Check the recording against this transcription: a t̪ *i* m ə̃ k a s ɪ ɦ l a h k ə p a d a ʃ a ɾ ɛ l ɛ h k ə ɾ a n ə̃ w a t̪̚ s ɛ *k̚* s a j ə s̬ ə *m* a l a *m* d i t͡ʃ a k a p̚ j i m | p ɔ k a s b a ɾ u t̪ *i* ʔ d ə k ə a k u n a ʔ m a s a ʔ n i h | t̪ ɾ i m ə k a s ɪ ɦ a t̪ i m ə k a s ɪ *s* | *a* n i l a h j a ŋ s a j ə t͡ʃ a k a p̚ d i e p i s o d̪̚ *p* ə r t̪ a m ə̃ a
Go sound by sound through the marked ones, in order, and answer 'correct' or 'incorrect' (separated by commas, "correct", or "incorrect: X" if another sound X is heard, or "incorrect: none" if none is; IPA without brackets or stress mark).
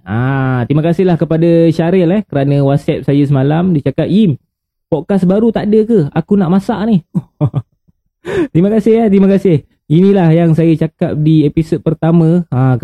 correct, incorrect: p̚, correct, correct, incorrect: a, incorrect: h, incorrect: i, correct